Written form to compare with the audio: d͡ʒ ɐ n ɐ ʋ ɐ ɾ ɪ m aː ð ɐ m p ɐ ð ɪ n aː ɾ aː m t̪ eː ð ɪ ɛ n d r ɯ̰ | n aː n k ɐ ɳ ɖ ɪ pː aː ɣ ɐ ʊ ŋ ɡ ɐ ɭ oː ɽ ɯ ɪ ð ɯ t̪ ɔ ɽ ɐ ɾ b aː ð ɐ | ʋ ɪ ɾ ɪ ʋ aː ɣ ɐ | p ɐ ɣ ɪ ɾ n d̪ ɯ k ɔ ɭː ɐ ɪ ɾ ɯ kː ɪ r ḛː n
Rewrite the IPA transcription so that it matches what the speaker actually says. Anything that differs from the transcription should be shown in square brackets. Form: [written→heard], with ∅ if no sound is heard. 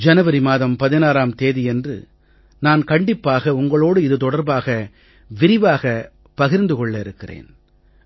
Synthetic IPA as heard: d͡ʒ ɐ n ɐ ʋ ɐ ɾ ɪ m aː ð ɐ m p ɐ ð ɪ n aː ɾ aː m t̪ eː ð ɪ ɛ n d r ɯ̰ | n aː n k ɐ ɳ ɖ ɪ pː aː ɣ ɐ ʊ ŋ ɡ ɐ ɭ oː ɽ ɯ ɪ ð ɯ t̪ ɔ ɽ ɐ ɾ b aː [ð→ɣ] ɐ | ʋ ɪ ɾ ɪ ʋ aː ɣ ɐ | p ɐ ɣ ɪ ɾ n d̪ ɯ k ɔ ɭː ɐ ɪ ɾ ɯ kː ɪ r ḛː n